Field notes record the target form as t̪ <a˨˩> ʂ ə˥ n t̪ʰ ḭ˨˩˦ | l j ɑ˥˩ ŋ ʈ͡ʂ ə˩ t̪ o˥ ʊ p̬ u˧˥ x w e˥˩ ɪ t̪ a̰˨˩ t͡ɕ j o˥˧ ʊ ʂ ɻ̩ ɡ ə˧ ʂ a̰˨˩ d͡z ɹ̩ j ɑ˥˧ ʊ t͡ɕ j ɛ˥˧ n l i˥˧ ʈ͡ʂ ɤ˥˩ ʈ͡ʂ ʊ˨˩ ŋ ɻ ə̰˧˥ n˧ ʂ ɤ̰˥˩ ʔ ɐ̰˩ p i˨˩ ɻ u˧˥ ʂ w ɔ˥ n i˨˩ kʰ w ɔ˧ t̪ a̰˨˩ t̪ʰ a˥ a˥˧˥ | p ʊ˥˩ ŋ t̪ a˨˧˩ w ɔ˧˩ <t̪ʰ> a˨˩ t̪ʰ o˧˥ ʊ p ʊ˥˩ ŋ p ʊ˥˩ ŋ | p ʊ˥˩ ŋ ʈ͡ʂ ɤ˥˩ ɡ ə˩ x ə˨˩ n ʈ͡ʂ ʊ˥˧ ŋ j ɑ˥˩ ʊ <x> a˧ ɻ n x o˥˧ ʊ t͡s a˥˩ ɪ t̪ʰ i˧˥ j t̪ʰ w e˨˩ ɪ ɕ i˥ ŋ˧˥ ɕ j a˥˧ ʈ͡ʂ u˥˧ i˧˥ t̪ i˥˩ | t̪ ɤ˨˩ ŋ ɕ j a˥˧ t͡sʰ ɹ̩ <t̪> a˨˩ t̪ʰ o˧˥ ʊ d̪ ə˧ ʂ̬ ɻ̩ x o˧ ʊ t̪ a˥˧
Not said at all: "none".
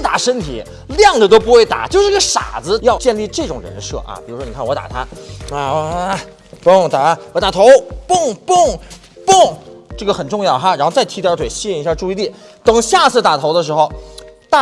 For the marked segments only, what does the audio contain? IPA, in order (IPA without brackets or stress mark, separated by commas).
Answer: a˨˩, t̪, x, t̪